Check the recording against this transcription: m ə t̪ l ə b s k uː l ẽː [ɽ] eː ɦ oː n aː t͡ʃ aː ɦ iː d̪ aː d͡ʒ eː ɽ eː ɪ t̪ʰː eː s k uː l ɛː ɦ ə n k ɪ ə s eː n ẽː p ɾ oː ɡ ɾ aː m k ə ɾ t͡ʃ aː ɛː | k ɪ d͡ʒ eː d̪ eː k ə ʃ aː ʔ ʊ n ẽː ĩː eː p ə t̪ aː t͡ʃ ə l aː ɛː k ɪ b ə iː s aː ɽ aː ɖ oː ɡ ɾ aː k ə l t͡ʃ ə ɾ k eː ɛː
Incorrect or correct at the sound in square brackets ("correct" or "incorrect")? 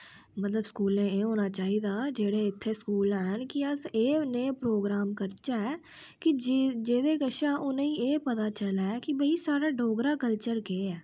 incorrect